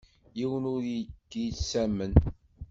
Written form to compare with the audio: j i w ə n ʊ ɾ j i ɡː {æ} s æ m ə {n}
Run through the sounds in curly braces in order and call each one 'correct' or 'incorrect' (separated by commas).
incorrect, correct